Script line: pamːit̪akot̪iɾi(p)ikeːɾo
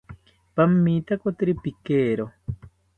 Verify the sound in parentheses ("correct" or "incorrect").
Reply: correct